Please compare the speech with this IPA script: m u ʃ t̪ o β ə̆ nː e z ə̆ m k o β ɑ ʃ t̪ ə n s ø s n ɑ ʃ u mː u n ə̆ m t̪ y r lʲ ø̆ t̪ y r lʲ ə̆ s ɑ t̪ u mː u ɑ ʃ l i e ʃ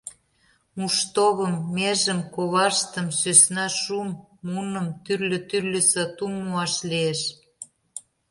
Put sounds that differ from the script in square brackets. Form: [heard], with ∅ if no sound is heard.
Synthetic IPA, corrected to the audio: m u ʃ t̪ o β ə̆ [mː] e [ʒ] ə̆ m k o β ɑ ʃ t̪ ə [m] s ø s n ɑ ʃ u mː u n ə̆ m t̪ y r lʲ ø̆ t̪ y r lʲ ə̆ s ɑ t̪ u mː u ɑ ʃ l i e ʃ